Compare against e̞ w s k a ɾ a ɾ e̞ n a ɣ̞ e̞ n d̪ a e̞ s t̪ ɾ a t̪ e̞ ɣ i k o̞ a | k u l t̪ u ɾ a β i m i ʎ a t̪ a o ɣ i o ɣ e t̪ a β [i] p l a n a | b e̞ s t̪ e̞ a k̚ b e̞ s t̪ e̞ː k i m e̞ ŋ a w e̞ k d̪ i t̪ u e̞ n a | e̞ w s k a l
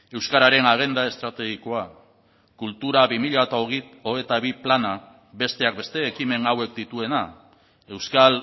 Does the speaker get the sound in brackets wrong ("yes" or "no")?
no